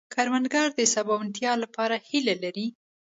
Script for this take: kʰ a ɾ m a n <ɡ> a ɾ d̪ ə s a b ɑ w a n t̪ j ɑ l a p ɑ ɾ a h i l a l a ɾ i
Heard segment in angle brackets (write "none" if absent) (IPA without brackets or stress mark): ɡ